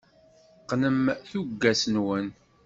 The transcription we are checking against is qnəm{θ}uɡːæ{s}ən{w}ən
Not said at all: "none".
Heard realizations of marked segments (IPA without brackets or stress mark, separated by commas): θ, s, w